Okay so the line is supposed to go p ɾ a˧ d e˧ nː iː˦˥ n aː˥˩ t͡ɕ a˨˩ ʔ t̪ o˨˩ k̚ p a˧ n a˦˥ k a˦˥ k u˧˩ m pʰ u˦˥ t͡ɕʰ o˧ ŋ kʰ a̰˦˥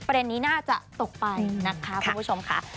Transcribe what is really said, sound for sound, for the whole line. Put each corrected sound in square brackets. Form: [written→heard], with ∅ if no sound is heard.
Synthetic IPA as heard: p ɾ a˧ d e˧ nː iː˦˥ n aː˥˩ t͡ɕ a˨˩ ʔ t̪ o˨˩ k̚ p a˧ n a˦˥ [k→kʰ] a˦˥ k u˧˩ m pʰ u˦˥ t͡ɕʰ o˧ [ŋ→m] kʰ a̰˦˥